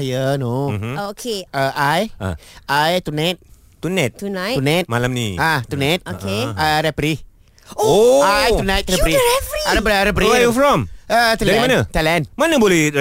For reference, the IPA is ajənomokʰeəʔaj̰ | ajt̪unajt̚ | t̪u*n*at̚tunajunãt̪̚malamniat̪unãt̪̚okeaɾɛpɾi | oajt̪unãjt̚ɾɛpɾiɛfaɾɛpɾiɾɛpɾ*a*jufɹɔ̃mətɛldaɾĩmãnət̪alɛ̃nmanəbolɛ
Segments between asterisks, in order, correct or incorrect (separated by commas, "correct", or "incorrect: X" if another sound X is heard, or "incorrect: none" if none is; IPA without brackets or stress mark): correct, incorrect: i